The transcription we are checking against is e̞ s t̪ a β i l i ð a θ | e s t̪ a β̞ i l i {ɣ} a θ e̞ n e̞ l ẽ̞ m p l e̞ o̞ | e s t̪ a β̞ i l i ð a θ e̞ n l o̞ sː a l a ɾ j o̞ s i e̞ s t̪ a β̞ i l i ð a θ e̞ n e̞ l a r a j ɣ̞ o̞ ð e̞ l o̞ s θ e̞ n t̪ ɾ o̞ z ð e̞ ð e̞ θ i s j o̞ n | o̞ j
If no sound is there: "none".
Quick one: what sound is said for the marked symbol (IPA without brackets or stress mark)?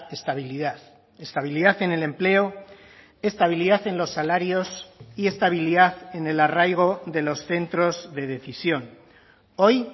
ð